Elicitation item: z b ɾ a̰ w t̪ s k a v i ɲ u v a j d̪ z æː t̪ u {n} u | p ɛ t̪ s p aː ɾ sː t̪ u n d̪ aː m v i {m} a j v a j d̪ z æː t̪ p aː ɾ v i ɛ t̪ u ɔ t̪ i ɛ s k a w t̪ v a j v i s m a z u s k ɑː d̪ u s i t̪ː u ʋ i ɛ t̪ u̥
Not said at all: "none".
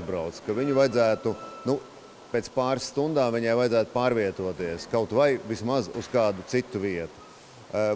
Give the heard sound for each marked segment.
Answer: n, ɲ

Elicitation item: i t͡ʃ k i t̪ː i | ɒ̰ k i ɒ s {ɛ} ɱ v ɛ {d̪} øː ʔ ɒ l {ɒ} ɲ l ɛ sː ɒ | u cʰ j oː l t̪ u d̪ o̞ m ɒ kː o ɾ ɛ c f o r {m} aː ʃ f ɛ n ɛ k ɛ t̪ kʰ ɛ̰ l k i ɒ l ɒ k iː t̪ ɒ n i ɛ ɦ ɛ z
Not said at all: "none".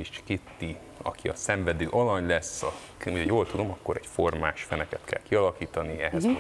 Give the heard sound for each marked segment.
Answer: ɛ, d̪, ɒ, m

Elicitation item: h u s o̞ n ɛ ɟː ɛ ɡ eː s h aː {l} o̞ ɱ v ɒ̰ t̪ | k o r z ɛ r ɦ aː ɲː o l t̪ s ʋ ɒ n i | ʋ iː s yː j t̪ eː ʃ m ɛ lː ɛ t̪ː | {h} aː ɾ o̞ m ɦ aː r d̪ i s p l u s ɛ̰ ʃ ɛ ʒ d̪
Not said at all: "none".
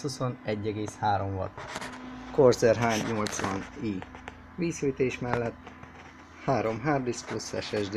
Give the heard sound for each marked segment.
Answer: ɾ, h

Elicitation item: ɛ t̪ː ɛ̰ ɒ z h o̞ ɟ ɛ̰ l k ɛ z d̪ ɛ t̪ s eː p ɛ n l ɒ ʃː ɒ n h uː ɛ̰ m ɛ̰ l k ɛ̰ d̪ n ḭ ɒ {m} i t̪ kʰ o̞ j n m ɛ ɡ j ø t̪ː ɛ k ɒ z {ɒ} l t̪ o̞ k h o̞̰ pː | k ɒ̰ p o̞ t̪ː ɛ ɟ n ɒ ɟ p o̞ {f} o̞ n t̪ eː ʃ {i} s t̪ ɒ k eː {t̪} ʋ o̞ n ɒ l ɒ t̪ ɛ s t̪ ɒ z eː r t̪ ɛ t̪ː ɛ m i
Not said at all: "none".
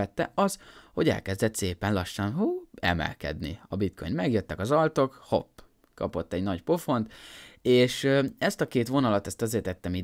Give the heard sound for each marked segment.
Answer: b, ɒ, f, ɛ, t̪

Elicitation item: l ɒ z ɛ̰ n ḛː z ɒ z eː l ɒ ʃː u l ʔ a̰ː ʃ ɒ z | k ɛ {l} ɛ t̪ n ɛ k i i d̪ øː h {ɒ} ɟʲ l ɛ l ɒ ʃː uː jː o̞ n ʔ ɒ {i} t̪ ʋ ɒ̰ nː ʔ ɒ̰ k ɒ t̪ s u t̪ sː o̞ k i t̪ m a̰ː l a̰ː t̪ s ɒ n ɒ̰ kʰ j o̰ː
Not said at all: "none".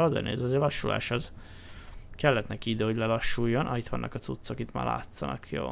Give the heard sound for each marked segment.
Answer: lː, o, i

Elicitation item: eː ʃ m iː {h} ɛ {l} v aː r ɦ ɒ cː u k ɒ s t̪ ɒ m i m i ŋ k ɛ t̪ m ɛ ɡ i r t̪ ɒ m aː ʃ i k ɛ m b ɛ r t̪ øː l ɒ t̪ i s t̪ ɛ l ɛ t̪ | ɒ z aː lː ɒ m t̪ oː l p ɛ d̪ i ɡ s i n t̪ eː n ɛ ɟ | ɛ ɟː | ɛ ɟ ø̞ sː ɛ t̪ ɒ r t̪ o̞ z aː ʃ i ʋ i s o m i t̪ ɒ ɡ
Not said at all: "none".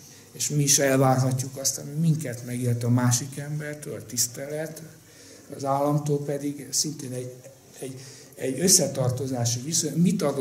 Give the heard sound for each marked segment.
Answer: ʃ, l

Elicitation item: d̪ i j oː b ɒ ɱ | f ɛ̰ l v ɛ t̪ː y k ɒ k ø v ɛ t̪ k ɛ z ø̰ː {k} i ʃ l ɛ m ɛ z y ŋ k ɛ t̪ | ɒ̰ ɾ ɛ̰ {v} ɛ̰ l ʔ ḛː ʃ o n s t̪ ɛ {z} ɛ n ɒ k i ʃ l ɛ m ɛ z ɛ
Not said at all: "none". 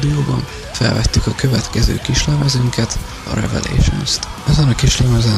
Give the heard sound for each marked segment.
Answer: k, v, z

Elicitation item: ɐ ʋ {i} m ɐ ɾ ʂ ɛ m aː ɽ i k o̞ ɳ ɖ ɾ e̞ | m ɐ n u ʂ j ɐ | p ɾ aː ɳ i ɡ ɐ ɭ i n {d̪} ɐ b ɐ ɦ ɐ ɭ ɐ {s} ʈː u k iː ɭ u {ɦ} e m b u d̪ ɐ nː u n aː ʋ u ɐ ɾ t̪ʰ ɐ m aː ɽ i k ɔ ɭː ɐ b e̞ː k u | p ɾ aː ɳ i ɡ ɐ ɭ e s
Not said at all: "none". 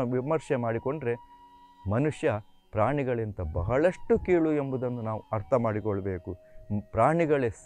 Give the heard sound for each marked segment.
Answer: i, t̪, ʂ, none

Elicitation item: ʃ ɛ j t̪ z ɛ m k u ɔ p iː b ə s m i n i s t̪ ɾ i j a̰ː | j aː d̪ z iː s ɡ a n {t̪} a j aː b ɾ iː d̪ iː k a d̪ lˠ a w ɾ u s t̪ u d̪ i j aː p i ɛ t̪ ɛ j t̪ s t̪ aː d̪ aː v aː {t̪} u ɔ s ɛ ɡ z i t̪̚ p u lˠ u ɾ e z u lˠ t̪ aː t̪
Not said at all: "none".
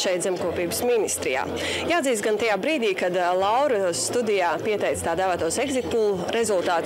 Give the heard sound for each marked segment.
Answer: t̪, t̪

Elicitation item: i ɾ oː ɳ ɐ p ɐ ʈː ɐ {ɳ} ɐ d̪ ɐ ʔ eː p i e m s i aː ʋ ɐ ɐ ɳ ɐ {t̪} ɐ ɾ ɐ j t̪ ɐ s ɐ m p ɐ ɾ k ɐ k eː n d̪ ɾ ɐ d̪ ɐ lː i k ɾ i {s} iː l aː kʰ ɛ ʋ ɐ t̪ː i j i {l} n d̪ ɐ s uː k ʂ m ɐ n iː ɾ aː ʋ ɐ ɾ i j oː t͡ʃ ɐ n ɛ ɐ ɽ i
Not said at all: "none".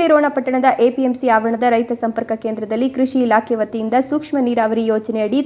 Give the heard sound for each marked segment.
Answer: ɳ, d̪, ʂ, none

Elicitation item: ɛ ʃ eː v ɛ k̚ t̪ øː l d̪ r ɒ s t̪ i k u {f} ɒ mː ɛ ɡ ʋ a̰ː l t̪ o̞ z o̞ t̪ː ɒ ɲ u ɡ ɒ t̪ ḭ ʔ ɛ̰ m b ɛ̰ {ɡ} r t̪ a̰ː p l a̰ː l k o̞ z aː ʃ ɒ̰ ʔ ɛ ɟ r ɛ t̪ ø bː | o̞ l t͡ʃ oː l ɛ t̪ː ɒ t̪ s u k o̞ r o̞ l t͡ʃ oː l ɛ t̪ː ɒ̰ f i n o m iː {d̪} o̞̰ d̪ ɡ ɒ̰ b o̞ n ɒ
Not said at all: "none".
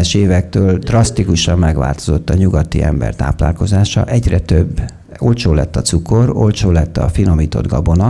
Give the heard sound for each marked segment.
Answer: ʃ, none, t̪

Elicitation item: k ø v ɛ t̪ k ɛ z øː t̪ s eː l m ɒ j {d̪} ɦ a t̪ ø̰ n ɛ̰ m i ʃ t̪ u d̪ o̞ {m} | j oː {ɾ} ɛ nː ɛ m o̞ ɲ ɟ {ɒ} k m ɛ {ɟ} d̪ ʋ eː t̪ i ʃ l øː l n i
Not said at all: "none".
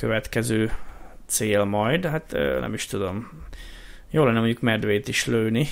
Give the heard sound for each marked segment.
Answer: d̪, m, l, u, none

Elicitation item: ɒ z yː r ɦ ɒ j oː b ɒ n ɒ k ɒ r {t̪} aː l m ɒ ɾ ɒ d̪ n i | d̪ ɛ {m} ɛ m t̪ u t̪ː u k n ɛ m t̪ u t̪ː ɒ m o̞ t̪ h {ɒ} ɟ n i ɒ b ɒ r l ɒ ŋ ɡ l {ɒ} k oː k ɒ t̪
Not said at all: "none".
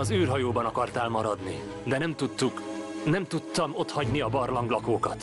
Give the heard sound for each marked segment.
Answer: t̪, n, ɒ, ɒ

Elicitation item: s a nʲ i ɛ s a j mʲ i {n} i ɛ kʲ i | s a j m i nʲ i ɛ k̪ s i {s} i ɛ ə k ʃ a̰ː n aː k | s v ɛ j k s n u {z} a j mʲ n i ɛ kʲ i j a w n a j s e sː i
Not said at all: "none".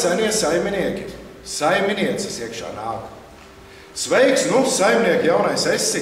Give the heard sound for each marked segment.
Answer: n, s, s

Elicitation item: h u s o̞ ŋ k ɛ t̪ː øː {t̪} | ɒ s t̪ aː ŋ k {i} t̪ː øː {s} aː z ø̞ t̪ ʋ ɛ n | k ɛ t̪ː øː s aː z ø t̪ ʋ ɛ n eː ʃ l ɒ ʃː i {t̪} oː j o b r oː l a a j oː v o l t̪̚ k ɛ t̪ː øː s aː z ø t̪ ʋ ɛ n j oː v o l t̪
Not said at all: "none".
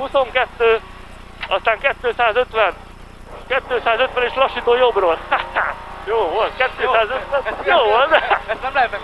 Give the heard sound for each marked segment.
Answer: none, ɛ, s, t̪

